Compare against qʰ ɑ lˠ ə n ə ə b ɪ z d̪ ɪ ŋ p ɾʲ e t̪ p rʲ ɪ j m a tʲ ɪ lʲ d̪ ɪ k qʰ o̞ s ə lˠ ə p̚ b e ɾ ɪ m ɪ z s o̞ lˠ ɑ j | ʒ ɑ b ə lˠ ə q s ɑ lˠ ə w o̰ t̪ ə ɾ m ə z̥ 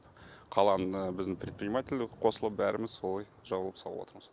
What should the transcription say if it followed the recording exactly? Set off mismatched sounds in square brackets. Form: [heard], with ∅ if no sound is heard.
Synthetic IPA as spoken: qʰ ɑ lˠ [ɑ] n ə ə b ɪ z d̪ ɪ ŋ p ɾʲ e t̪ p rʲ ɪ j m a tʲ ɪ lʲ d̪ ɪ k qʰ o̞ s ə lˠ ə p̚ b [æ] ɾ ɪ m ɪ z s o̞ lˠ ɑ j | ʒ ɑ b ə lˠ ə [p] s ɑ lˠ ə w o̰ t̪ ə ɾ m ə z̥